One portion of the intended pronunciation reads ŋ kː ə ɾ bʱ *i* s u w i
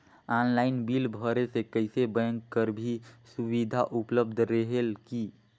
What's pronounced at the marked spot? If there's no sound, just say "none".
i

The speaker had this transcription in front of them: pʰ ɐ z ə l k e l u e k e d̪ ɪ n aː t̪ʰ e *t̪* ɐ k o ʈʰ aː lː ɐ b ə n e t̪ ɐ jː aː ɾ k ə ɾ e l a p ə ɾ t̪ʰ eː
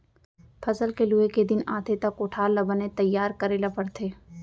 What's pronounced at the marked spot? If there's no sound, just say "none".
t̪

